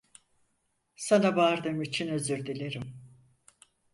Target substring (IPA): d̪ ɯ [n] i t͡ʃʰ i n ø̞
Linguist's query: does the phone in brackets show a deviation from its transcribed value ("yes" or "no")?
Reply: yes